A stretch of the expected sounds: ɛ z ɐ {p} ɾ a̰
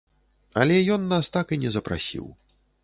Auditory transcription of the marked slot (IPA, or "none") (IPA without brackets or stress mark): p